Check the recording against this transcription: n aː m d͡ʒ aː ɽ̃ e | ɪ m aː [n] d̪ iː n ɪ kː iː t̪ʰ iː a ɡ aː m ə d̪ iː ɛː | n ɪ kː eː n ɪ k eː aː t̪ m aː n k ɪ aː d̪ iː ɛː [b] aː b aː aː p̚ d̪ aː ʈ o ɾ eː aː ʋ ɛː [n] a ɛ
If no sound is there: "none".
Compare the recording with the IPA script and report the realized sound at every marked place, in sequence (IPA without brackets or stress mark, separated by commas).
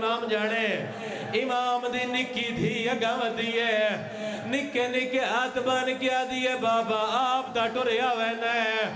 m, b, n